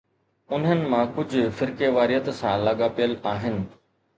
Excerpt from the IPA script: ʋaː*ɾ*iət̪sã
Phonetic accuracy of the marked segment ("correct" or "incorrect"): correct